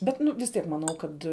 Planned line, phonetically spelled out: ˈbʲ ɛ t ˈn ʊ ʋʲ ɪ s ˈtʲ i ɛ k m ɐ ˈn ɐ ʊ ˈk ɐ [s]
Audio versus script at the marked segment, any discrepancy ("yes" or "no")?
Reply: yes